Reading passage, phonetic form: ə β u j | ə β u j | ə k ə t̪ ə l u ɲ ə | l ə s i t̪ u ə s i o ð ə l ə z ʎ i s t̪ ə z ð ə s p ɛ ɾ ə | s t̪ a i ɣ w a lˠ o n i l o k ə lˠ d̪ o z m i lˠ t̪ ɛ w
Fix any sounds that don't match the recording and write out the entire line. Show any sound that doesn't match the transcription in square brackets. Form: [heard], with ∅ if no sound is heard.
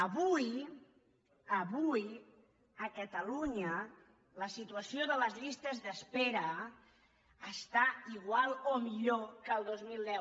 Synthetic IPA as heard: ə β u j | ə β u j | ə k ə t̪ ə l u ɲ ə | l ə s i t̪ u ə s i o ð ə l ə z ʎ i s t̪ ə z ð ə s p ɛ ɾ ə | s t̪ a i ɣ w a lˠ o [m] i [ʎ] o k ə lˠ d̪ o z m i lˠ [d̪] ɛ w